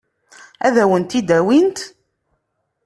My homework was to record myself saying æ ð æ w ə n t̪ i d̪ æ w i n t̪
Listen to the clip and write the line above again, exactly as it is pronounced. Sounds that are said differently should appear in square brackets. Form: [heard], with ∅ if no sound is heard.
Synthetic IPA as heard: æ ð æ w ə n t̪ i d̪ æ w i n t̪